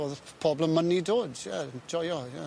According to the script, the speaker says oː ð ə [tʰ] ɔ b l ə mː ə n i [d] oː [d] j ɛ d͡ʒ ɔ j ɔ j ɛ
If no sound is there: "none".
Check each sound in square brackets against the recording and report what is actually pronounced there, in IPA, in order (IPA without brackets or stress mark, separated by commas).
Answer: pʰ, d, d